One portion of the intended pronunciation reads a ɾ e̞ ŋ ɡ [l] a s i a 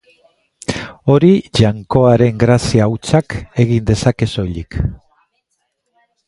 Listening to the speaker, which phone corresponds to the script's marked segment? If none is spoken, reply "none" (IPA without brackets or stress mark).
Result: ɾ